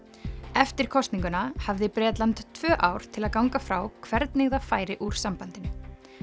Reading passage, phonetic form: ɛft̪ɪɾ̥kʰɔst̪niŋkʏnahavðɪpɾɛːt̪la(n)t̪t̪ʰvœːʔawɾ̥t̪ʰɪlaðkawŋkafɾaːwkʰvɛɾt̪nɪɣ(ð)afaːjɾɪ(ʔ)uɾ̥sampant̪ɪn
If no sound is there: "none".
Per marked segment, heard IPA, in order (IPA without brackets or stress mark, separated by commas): n, ð, ʔ